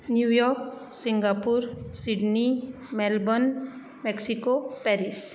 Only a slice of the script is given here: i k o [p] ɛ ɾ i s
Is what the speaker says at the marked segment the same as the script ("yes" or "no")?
yes